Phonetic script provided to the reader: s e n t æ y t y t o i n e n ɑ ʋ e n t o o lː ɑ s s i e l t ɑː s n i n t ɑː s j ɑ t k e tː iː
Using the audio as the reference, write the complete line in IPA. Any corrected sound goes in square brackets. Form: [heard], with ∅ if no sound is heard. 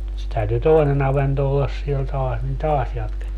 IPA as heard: s e [∅] t æ y t y t o i n e n ɑ ʋ e n t o o lː ɑ s s i e l t ɑː s n i n t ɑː s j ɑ t k e tː iː